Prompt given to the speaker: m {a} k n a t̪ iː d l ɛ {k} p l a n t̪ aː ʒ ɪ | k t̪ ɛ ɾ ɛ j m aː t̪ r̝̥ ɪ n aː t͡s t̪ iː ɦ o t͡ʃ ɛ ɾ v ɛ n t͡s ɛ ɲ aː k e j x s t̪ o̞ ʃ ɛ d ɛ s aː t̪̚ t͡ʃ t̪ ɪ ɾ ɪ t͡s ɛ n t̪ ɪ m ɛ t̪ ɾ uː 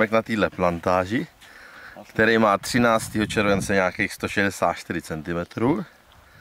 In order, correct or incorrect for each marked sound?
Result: incorrect: ɛ, incorrect: none

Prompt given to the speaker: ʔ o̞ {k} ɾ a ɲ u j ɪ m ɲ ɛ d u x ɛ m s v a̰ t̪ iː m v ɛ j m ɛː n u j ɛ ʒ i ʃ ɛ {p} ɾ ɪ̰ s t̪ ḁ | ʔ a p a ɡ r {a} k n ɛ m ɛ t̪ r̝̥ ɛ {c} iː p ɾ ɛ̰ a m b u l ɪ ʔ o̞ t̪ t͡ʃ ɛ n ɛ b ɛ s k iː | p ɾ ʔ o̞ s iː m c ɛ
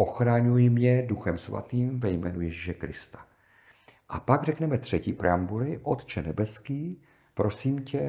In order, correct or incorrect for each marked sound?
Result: incorrect: x, incorrect: k, incorrect: ɛ, correct

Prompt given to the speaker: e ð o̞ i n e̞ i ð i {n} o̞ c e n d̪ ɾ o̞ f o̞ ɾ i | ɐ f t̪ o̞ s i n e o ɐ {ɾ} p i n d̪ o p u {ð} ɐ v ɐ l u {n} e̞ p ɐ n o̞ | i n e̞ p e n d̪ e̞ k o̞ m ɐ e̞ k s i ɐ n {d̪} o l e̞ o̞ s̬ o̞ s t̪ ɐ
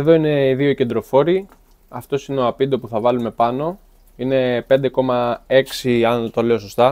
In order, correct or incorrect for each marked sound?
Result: incorrect: none, incorrect: none, incorrect: θ, incorrect: m, incorrect: t̪

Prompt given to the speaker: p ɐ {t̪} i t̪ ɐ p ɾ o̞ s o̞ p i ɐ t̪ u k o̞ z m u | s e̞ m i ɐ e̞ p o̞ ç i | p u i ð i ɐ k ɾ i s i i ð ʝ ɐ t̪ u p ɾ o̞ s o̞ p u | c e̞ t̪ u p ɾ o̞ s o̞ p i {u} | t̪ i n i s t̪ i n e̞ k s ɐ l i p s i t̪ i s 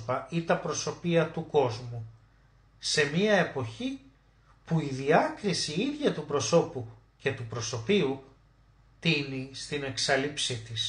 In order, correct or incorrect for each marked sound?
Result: incorrect: none, correct

